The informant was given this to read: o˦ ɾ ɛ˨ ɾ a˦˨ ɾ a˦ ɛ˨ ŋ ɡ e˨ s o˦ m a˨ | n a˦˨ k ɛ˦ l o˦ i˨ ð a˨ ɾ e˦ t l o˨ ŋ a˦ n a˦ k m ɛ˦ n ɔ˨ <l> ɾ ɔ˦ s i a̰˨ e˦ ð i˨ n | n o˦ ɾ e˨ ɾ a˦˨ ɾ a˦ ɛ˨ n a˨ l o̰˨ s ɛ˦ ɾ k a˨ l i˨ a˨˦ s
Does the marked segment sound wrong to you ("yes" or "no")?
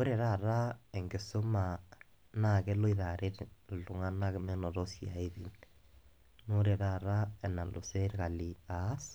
yes